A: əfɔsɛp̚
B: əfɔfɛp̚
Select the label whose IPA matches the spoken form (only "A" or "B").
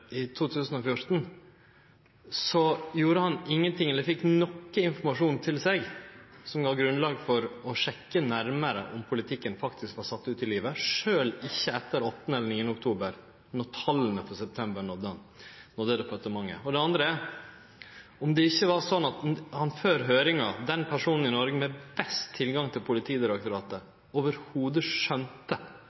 A